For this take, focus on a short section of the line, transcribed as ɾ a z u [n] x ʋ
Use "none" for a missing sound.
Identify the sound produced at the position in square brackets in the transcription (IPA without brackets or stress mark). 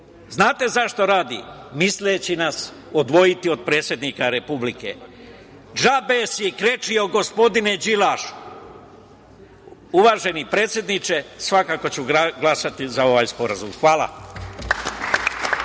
m